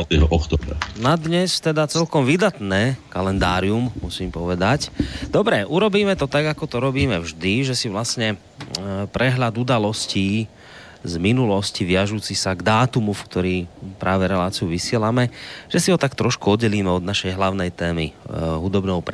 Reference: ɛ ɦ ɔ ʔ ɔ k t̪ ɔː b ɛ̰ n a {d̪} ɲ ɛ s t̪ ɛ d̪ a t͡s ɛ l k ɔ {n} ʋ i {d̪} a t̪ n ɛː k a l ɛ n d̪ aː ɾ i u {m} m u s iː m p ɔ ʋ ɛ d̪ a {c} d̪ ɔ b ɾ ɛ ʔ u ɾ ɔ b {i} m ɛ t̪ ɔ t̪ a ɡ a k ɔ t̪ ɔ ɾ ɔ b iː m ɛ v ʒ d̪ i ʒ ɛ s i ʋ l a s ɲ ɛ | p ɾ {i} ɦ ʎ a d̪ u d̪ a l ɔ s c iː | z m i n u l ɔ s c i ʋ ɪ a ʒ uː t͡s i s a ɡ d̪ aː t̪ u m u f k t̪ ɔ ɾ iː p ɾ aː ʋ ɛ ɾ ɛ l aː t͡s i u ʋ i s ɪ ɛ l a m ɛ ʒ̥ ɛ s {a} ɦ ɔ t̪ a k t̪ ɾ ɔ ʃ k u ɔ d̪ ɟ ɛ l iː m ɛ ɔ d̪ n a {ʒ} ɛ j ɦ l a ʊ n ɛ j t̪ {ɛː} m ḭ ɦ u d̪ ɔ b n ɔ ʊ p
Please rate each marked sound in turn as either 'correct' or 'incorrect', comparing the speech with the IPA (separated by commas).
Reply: correct, incorrect, correct, correct, correct, incorrect, incorrect, incorrect, incorrect, correct